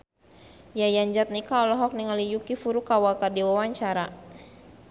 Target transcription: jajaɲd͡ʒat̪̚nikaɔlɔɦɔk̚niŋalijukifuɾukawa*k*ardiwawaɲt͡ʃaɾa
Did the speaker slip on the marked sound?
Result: no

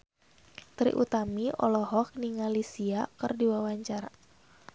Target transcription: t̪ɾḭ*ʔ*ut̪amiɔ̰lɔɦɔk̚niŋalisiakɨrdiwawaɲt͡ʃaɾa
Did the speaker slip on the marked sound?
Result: no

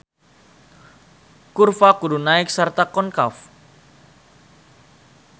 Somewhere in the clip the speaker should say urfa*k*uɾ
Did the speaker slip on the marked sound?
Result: no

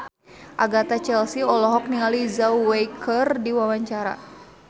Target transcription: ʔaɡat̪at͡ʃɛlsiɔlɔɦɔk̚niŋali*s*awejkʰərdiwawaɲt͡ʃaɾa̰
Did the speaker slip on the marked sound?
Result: yes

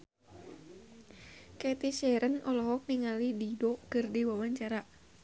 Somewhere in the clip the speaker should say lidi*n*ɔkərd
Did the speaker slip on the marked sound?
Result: yes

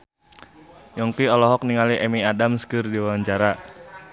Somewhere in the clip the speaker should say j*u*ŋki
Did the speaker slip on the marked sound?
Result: yes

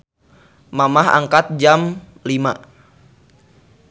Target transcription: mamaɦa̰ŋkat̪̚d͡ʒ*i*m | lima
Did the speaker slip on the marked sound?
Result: yes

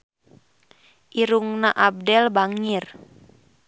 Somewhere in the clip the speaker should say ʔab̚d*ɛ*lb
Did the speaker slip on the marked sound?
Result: no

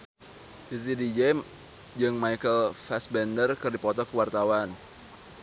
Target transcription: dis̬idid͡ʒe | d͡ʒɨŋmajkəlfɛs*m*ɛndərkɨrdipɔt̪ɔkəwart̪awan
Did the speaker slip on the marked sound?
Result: yes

